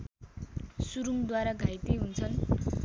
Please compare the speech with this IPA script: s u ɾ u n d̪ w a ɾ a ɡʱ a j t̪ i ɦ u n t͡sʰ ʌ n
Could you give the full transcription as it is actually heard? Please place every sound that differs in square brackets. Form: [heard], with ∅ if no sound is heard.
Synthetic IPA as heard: s u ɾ u [m] d̪ w a ɾ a ɡʱ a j t̪ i ɦ u n t͡sʰ ʌ n

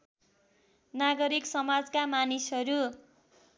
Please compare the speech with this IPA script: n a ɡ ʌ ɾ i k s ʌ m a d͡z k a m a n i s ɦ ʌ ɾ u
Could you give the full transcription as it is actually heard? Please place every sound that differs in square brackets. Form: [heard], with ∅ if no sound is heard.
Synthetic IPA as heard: n a ɡ ʌ ɾ i k s ʌ m a d͡z k a m a n i s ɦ ʌ ɾ u

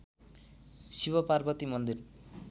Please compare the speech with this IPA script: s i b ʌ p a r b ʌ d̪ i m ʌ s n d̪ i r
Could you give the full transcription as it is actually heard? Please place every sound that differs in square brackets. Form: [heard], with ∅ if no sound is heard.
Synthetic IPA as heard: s i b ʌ p a r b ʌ [t̪] i m ʌ [∅] n d̪ i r

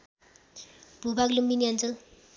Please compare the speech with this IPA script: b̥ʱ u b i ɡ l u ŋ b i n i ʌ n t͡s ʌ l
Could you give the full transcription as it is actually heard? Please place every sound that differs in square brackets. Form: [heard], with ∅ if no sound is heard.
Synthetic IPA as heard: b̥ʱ u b [a] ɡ l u [m] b i n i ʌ n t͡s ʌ l

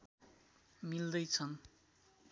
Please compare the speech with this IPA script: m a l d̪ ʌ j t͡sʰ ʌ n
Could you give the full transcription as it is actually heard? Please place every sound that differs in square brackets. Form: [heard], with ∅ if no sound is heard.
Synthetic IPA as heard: m [i] l d̪ ʌ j t͡sʰ ʌ n

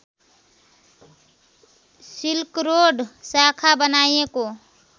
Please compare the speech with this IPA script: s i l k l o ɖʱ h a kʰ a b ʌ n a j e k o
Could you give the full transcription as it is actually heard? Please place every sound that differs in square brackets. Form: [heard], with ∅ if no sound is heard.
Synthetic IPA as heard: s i l k [ɾ] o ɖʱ [s] a kʰ a b [ə] n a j e k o

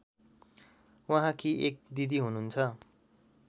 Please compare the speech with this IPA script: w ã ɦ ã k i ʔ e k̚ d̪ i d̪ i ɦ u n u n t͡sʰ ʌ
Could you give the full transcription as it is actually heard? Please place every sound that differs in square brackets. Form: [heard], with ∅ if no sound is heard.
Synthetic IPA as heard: w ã ɦ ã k i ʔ e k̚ d̪ i d̪ i ɦ u n u n t͡sʰ ʌ

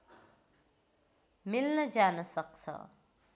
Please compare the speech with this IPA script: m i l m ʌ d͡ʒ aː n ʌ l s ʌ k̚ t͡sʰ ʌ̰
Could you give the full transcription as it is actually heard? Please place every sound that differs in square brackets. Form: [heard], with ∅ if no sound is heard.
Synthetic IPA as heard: m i l [n] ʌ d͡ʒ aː n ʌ [∅] s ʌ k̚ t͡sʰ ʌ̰

